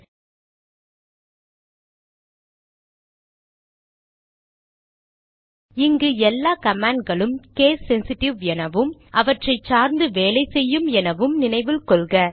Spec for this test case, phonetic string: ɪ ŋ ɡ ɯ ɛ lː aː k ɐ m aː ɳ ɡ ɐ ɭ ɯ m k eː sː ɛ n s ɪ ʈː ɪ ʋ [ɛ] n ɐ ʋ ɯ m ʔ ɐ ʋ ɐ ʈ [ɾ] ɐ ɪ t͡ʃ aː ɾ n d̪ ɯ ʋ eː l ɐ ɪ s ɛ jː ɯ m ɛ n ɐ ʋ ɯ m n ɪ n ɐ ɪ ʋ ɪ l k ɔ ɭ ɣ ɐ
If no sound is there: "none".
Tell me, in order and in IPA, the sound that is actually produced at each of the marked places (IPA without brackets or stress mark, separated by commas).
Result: ɛ, r